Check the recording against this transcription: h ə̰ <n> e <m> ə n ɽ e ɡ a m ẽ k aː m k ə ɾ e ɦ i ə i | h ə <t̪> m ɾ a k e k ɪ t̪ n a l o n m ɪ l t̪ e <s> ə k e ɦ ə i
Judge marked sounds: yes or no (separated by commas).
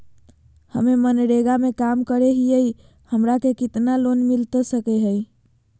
no, yes, no, yes